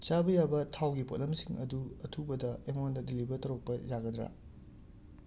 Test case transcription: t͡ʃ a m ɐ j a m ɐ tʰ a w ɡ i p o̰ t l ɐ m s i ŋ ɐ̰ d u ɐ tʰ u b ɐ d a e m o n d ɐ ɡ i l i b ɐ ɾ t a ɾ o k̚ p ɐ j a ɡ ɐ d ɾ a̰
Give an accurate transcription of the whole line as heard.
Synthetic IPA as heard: t͡ʃ a b ɐ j a b ɐ tʰ a w ɡ i p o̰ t l ɐ m s i ŋ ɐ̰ d u ɐ tʰ u b ɐ d ɐ e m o n d ɐ d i l i b ɐ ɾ t ɐ ɾ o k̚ p ɐ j a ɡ ɐ d ɾ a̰